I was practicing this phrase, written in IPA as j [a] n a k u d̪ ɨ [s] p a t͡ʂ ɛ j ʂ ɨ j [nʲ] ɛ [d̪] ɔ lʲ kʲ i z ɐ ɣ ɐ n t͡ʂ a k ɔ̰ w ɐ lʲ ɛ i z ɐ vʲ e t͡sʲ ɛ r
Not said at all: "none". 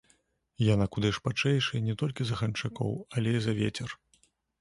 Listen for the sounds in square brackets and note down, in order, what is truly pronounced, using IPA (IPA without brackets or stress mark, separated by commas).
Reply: a, ʂ, nʲ, t̪